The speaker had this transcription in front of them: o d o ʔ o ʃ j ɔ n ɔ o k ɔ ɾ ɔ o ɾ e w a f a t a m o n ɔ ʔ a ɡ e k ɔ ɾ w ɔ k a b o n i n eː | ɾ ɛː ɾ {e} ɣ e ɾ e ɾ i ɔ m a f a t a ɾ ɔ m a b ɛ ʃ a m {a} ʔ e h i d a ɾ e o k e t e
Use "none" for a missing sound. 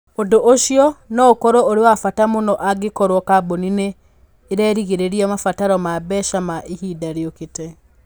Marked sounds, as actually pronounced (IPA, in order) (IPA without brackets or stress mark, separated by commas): i, a